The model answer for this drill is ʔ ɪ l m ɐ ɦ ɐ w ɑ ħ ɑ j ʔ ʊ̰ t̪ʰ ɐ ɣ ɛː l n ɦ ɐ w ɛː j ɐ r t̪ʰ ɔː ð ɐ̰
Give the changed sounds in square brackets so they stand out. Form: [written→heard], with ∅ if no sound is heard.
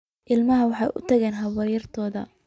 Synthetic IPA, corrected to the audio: ʔ ɪ l m ɐ ɦ ɐ w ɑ ħ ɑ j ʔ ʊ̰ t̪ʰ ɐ ɣ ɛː [l→∅] n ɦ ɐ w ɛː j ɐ r t̪ʰ ɔː ð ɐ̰